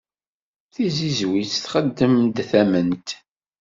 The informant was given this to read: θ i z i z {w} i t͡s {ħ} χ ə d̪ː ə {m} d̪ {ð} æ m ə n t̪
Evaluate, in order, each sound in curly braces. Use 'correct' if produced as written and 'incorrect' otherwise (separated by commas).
correct, incorrect, correct, incorrect